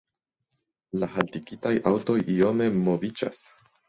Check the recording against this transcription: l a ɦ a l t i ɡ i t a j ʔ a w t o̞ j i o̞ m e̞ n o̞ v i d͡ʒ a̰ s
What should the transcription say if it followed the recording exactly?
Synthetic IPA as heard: l a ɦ a l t i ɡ i t a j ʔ a w t o̞ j i o̞ m e̞ m o̞ v i d͡ʒ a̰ s